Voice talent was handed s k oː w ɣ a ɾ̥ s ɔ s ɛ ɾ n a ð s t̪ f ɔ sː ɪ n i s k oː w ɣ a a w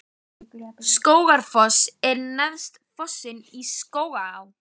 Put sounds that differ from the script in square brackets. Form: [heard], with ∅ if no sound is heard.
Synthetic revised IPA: s k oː w ɣ a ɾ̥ [f] ɔ s ɛ ɾ n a ð s t̪ f ɔ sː ɪ n i s k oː w ɣ a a w